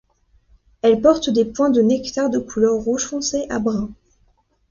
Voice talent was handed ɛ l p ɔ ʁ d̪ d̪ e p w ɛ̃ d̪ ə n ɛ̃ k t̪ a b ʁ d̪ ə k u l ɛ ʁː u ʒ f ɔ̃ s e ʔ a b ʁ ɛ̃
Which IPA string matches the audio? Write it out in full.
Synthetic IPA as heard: ɛ l p ɔ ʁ t̪ d̪ e p w ɛ̃ d̪ ə n ɛ k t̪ a ʁ d̪ ə k u l œ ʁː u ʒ f ɔ̃ s e ʔ a b ʁ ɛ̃